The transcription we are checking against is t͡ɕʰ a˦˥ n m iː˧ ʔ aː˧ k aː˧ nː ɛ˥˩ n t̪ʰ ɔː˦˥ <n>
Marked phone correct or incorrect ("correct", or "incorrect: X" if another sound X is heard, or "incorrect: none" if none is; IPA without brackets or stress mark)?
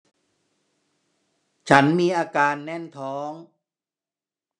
incorrect: ŋ